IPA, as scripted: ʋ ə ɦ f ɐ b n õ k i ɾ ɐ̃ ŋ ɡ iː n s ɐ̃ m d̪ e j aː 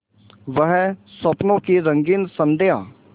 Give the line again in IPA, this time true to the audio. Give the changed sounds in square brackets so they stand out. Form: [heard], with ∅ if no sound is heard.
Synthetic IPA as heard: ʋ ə ɦ [s] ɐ [p] n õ k i ɾ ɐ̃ ŋ ɡ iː n s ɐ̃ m d̪ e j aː